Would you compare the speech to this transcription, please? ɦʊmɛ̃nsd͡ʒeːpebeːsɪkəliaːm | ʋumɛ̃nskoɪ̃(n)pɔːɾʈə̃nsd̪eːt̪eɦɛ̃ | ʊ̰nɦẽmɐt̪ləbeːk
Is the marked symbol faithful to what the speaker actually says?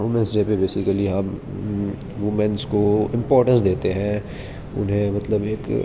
no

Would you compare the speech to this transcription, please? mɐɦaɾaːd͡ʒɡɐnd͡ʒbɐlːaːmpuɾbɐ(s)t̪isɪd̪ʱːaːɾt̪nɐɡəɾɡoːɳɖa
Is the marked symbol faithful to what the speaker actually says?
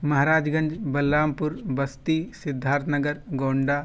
yes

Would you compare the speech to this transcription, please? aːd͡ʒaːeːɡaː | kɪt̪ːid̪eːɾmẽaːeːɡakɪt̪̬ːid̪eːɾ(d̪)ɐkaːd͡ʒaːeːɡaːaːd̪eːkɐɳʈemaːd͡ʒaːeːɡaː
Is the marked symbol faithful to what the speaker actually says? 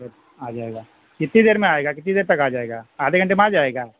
no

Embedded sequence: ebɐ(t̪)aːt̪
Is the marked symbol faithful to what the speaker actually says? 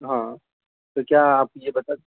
yes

